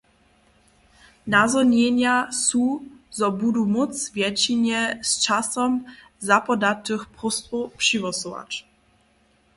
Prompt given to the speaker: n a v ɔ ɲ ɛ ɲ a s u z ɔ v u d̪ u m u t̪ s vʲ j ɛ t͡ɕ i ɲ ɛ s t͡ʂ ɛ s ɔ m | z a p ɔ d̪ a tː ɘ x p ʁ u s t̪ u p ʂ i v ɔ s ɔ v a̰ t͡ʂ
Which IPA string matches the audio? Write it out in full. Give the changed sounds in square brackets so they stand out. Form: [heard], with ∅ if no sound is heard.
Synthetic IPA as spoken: n a [z] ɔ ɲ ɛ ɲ a s u z ɔ [b] u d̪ u m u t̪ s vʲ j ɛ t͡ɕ i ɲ ɛ s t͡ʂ [a] s ɔ m | z a p ɔ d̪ a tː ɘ x p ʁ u s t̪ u p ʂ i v ɔ s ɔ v a̰ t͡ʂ